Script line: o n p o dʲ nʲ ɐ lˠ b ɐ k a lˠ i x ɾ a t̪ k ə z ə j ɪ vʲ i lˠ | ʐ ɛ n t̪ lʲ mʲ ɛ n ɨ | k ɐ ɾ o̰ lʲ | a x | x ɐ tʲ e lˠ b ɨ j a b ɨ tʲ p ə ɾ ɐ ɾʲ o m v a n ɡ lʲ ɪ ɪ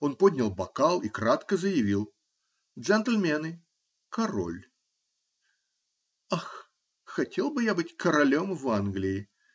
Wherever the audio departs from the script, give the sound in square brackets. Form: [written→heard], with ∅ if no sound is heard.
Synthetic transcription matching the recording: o n p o dʲ nʲ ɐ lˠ b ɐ k a lˠ i [x→k] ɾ a t̪ k ə z ə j ɪ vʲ i lˠ | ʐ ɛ n t̪ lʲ mʲ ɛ n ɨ | k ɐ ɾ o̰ lʲ | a x | x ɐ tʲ e lˠ b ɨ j a b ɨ tʲ [p→k] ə ɾ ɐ [ɾʲ→lʲ] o m v a n ɡ lʲ ɪ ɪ